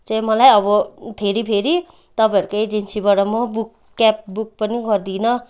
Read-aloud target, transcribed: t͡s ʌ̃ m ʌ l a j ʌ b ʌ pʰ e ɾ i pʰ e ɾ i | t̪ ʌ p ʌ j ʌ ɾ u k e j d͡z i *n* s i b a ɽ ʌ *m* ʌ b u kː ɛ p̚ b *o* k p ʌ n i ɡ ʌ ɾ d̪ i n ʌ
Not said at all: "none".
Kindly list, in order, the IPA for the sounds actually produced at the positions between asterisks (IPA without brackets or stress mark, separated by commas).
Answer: n, m, u